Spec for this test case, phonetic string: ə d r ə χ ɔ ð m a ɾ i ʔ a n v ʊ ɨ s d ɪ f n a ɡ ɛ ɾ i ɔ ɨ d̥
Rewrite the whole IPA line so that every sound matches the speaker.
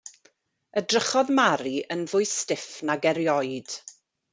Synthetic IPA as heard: ə d r ə χ ɔ ð m a ɾ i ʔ ə n v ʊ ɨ s t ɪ f n a ɡ ɛ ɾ j ɔ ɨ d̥